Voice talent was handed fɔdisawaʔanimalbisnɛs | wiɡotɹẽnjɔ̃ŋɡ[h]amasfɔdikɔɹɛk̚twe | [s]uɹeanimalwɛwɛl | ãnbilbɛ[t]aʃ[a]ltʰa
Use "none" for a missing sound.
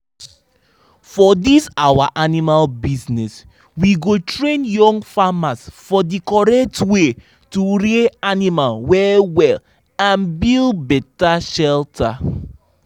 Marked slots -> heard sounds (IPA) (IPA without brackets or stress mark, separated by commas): f, t, t, ɛ